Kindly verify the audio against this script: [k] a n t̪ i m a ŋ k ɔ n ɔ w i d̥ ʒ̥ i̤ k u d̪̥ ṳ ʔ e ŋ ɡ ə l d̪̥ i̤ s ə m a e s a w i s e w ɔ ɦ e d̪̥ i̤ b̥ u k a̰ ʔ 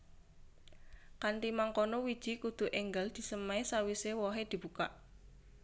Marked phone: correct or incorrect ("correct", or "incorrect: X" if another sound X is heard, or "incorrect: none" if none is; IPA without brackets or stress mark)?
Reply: correct